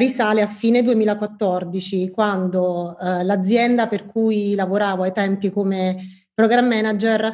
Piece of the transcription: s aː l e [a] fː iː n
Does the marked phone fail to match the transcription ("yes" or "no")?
no